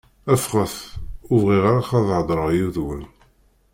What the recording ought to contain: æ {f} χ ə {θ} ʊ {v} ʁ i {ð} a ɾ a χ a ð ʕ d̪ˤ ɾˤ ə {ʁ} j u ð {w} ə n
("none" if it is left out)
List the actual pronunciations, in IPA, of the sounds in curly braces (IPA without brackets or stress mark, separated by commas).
f, θ, v, ʁ, ʁ, w